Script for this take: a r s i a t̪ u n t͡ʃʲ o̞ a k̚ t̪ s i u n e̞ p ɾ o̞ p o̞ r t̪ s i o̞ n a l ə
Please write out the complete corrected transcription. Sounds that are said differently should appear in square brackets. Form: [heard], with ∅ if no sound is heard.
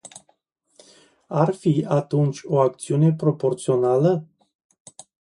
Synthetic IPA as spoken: a r [f] i a t̪ u n t͡ʃʲ o̞ a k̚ t̪ s i u n e̞ p ɾ o̞ p o̞ r t̪ s i o̞ n a l ə